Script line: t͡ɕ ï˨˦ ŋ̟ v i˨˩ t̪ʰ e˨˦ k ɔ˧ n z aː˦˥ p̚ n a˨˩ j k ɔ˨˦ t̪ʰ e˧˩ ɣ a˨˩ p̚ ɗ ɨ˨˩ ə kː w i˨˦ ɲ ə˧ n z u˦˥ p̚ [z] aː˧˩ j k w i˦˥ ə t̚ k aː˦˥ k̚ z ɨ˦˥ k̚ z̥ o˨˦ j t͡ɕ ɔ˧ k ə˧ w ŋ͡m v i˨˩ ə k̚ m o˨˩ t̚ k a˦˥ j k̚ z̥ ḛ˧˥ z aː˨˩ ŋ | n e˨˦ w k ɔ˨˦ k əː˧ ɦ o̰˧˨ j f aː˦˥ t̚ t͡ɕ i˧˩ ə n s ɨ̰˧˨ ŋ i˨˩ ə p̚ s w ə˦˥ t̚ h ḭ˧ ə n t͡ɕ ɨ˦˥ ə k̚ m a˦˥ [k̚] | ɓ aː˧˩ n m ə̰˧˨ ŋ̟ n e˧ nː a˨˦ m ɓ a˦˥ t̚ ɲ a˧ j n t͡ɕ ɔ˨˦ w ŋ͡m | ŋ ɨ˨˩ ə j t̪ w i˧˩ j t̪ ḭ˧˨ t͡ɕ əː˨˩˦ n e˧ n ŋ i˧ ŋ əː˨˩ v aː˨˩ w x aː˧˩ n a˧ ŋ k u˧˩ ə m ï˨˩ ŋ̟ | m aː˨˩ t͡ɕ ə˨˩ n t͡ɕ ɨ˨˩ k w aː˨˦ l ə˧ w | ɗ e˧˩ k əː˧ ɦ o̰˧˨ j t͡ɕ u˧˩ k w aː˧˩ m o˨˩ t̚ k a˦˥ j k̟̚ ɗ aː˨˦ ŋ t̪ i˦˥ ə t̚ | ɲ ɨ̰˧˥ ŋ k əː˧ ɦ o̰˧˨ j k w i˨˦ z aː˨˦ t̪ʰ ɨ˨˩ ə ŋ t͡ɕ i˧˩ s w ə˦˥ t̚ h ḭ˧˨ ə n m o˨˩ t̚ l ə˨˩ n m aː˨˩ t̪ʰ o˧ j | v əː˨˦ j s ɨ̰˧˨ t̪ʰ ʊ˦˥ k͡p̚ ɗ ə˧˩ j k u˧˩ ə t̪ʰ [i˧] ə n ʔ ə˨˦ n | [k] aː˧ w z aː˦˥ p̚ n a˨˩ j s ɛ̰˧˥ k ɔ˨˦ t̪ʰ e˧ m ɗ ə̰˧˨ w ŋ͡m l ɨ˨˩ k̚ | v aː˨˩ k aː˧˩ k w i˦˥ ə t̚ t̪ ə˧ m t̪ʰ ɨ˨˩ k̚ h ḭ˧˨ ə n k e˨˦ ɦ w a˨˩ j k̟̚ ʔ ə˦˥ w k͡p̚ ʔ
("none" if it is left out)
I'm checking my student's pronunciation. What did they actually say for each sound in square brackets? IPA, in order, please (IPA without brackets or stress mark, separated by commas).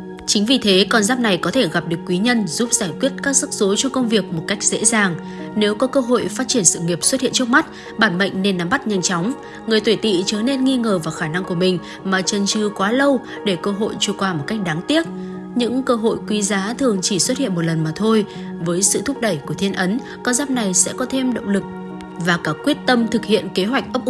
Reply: z, t̚, i˧, k